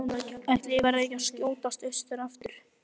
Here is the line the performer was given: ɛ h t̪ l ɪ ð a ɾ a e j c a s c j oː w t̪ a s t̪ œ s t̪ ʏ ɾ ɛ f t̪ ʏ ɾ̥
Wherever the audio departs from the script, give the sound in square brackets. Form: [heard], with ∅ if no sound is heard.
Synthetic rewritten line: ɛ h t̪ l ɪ [v] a ɾ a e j c a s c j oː w t̪ a s t̪ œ s t̪ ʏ ɾ [a] f t̪ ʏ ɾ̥